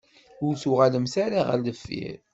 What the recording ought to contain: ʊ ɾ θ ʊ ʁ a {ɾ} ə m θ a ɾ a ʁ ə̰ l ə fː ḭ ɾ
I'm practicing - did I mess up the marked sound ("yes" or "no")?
yes